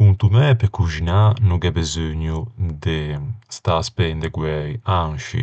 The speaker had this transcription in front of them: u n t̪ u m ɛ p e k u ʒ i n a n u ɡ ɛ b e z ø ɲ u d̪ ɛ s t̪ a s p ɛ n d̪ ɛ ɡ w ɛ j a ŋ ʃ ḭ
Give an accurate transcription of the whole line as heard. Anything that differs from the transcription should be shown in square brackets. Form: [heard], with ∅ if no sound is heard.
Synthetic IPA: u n t̪ u m ɛ p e k u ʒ i n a n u ɡ ɛ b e z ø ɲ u d̪ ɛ s t̪ a s p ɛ n d̪ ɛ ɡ w ɛ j a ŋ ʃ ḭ